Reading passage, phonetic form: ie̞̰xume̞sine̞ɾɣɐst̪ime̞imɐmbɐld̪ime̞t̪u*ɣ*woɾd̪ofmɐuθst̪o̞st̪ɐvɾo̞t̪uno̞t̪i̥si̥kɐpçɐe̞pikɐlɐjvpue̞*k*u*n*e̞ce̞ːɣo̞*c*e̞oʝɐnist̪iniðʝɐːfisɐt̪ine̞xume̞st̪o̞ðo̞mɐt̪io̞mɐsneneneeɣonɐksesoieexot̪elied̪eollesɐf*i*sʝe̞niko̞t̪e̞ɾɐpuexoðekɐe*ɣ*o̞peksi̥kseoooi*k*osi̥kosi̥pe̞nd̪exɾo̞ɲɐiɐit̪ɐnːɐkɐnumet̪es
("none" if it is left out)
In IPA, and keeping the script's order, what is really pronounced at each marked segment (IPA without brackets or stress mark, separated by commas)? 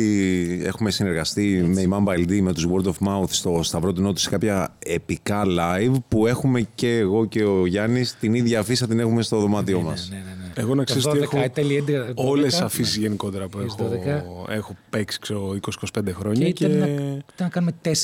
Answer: z, x, m, c, i, x, k